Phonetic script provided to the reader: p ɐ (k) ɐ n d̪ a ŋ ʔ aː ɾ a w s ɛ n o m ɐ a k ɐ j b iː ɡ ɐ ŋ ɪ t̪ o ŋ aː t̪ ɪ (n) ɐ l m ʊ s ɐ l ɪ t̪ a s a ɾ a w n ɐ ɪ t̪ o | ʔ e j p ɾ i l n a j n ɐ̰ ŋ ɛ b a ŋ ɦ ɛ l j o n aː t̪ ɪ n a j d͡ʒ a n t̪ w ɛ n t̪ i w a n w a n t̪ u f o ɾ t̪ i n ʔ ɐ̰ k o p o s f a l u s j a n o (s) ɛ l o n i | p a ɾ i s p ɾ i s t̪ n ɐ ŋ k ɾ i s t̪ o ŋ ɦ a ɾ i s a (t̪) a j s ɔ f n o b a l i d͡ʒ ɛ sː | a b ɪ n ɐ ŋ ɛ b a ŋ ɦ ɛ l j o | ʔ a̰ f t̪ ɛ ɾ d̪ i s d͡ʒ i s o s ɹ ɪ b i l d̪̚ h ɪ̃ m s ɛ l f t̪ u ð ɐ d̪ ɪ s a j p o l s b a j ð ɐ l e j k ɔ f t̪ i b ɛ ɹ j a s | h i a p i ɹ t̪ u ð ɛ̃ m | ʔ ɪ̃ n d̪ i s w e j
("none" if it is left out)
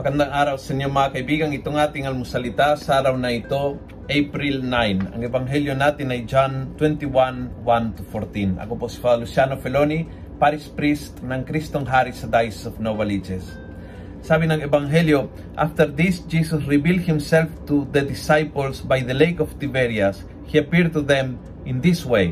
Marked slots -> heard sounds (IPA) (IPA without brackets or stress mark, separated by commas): k, ŋ, f, d̪